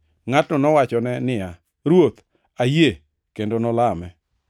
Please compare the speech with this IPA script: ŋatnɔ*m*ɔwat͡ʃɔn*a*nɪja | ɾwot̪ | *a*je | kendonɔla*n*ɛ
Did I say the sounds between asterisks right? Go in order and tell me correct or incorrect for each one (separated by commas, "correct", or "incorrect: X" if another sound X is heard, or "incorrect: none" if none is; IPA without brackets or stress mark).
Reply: incorrect: n, incorrect: ɛ, correct, incorrect: m